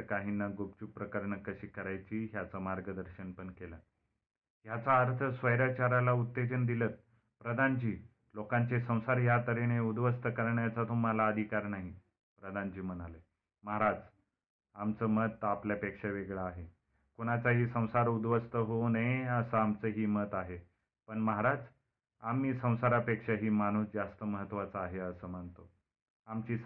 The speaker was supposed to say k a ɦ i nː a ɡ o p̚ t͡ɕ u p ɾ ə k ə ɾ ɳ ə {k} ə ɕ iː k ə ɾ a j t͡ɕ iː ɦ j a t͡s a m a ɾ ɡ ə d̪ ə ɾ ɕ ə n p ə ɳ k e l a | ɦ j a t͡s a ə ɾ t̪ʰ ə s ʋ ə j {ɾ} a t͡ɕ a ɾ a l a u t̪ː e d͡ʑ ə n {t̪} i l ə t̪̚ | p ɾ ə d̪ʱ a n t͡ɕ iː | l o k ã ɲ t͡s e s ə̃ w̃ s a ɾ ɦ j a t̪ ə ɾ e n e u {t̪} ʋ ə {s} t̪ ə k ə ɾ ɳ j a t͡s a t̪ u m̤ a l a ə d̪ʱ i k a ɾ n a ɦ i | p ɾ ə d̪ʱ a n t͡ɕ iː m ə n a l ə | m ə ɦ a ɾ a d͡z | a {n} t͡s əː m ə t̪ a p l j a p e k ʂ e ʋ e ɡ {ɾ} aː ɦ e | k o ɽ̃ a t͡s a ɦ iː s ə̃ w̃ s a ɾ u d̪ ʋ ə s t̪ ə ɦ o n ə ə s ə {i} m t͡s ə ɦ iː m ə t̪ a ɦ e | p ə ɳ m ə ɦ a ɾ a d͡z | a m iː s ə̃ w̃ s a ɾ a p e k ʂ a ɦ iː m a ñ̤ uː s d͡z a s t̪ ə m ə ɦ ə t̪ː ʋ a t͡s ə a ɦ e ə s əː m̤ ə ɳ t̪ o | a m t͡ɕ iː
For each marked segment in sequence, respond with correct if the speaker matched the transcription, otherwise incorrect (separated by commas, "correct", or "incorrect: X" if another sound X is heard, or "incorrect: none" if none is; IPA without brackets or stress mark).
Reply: correct, correct, incorrect: d̪, incorrect: d̪, correct, incorrect: m, incorrect: ɭ, incorrect: a